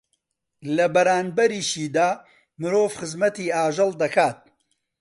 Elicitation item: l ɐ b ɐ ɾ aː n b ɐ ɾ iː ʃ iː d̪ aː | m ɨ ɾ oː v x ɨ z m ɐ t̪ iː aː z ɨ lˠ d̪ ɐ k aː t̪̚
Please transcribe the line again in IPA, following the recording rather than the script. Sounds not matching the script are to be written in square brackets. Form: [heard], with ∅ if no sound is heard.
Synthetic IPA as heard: l ɐ b ɐ ɾ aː n b ɐ ɾ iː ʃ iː d̪ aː | m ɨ ɾ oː v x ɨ z m ɐ t̪ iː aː [ʒ] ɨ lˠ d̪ ɐ k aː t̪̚